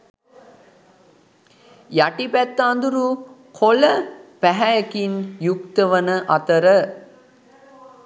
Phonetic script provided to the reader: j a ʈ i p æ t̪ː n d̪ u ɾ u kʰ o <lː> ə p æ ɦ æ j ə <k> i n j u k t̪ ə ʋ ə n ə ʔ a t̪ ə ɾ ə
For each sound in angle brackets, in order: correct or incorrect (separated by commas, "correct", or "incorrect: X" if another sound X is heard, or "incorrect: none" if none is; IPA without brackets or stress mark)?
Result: incorrect: l, correct